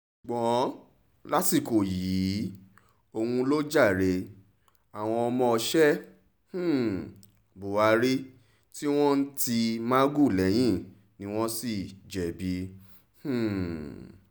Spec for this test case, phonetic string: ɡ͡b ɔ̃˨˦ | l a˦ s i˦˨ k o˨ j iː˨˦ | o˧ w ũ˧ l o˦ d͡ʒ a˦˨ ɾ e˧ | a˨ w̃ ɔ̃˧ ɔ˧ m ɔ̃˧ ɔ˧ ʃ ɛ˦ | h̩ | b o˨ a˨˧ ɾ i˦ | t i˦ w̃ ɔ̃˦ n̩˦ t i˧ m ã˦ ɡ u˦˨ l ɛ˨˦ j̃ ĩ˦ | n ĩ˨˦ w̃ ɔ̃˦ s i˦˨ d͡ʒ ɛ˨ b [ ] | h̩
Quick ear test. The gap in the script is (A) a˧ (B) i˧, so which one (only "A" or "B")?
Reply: B